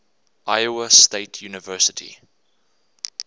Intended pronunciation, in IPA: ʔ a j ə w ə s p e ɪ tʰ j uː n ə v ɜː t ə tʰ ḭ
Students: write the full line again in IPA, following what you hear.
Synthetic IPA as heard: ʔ a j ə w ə s t e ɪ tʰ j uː n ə v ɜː s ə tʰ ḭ